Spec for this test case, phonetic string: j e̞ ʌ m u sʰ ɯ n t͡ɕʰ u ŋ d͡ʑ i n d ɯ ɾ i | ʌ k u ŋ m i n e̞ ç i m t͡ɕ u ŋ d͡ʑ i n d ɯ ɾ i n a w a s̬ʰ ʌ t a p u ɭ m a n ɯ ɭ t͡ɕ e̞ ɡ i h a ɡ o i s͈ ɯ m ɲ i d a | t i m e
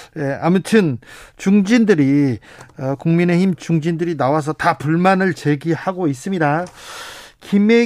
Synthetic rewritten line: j e̞ a m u tʰ ɯ n t͡ɕ u ŋ d͡ʑ i n d ɯ ɾ i | ʌ k u ŋ m i n e̞ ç i m t͡ɕ u ŋ d͡ʑ i n d ɯ ɾ i n a w a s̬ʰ ʌ t a p u ɭ m a n ɯ ɭ t͡ɕ e̞ ɡ i h a ɡ o i s͈ ɯ m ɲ i d a | k i m e